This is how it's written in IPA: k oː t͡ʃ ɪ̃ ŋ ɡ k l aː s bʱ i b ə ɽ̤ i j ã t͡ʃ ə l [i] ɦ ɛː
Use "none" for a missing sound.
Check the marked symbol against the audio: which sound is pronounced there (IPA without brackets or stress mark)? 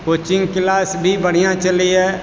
i